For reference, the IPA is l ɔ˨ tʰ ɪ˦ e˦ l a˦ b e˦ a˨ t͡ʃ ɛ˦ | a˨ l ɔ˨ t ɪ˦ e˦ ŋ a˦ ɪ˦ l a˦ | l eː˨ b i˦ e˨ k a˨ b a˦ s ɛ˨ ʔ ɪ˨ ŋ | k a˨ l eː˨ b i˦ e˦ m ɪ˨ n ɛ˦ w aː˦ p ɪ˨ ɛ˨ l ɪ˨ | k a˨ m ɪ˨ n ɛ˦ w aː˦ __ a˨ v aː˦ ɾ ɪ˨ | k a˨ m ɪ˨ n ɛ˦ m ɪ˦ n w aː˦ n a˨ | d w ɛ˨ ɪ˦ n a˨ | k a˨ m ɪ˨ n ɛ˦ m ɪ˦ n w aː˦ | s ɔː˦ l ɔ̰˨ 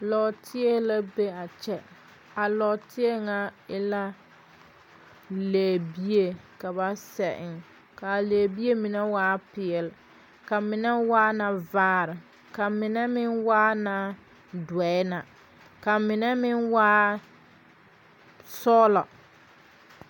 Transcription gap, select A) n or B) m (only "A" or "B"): A